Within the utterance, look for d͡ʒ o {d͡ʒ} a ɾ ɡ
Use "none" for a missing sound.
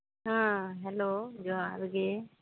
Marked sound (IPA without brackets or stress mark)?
none